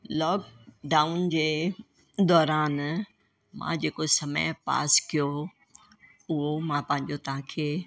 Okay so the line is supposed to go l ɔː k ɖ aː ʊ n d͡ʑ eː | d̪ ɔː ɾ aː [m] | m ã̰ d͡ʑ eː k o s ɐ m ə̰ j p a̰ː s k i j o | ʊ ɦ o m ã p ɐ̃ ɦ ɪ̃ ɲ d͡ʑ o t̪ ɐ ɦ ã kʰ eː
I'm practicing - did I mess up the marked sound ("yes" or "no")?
yes